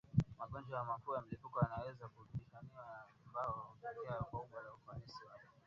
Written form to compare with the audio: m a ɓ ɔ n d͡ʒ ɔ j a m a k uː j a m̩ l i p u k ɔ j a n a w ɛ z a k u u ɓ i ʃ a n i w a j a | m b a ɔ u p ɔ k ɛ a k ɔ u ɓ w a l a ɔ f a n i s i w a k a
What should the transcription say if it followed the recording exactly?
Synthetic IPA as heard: m a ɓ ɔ n d͡ʒ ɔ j a m a k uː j a m̩ l i p u k ɔ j a n a w ɛ z a k u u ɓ i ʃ a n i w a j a | m b a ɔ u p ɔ k ɛ a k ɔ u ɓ w a l a u f a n i s i w a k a